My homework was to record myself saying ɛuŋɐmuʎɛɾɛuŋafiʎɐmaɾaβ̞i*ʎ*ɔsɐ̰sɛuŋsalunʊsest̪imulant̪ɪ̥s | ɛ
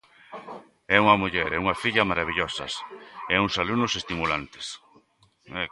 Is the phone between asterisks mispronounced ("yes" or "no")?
no